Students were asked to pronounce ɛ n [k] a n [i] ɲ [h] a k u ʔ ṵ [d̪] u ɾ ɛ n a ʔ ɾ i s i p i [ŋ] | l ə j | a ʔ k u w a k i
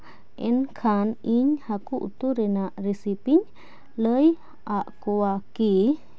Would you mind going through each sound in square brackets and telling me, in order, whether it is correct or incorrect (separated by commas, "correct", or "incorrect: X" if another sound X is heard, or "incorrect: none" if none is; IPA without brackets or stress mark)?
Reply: incorrect: kʰ, correct, correct, incorrect: t̪, incorrect: ɲ